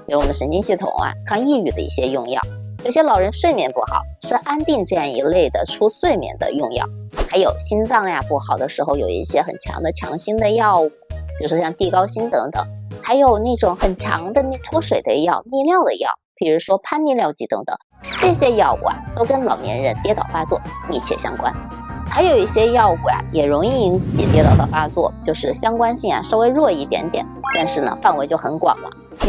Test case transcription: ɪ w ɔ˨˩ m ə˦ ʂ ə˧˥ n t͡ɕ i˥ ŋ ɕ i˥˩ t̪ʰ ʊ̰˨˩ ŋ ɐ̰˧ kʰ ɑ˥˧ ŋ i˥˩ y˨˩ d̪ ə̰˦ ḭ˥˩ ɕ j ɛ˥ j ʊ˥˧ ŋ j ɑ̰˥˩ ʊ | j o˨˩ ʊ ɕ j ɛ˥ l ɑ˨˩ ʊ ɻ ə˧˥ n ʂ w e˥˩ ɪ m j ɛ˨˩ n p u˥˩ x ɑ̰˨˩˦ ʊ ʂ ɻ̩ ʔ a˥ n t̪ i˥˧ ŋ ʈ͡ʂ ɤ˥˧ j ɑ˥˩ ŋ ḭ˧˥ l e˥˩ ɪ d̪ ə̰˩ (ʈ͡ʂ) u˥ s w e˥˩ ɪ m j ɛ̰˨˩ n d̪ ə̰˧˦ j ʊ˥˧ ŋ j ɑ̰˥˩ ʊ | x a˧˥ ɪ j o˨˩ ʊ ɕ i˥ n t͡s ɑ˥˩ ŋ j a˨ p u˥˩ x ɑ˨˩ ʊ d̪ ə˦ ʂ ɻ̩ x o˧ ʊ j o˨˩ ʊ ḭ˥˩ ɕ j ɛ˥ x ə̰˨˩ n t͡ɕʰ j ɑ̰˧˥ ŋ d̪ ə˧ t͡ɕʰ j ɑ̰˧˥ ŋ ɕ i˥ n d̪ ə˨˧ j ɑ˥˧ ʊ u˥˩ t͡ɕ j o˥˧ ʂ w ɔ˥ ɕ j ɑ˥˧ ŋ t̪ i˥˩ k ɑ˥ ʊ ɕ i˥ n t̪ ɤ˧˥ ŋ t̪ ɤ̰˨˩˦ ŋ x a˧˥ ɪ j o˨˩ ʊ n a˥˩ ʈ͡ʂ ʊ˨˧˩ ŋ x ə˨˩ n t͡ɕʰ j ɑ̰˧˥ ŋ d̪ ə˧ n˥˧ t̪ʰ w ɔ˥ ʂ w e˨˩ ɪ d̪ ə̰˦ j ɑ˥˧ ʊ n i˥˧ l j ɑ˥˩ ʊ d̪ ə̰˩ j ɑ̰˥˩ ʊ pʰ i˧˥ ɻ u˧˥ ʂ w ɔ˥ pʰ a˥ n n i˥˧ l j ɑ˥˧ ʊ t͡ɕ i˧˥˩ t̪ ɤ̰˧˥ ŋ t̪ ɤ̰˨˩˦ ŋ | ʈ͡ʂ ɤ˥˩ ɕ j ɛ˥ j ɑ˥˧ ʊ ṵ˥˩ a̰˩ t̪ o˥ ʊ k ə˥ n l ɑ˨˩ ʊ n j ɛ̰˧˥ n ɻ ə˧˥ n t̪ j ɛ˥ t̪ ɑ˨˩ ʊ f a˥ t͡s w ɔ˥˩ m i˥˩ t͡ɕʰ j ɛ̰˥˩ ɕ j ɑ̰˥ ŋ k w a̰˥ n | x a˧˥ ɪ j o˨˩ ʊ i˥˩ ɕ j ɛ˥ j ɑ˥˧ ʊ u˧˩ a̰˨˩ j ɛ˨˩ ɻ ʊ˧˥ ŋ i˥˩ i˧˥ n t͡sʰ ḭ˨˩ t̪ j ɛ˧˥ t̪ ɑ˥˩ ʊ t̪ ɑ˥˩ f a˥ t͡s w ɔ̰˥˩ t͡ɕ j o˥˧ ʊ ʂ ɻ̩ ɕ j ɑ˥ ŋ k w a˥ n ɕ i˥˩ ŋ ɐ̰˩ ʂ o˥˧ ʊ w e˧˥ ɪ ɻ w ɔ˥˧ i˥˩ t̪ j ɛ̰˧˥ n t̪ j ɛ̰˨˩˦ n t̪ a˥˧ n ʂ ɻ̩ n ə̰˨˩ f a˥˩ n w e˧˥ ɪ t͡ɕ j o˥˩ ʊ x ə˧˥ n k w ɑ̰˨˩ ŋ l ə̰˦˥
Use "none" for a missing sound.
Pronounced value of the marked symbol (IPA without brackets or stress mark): ʈ͡ʂʰ